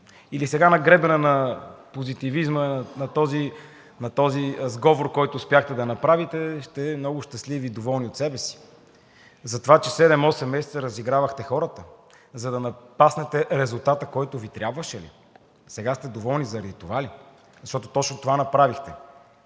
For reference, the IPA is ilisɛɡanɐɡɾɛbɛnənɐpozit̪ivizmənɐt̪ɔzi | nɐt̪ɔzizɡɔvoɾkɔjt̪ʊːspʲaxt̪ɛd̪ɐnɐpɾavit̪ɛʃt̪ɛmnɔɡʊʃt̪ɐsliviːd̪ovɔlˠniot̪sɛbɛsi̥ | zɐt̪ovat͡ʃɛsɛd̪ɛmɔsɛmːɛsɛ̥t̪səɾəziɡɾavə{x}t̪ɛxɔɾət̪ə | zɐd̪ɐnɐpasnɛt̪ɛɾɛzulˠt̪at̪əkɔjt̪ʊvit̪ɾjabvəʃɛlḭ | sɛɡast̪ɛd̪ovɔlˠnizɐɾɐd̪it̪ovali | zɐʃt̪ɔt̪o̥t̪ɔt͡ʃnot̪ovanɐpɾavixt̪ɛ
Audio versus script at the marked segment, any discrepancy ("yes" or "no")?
no